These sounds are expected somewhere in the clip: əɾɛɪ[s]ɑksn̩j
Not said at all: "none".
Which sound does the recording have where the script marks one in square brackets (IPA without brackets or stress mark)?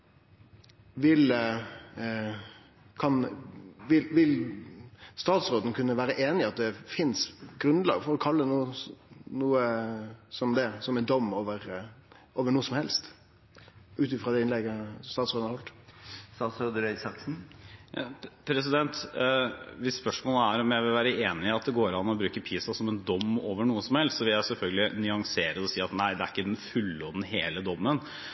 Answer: s